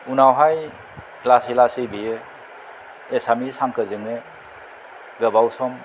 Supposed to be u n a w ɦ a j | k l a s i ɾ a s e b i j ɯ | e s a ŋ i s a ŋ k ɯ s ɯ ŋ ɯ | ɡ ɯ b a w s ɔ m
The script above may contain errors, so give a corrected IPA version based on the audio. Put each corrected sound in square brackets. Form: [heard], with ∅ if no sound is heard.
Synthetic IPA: u n a w ɦ a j | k l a s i [l] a s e b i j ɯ | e s a [m] i s a ŋ k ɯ [z] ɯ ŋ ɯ | ɡ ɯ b a w s ɔ m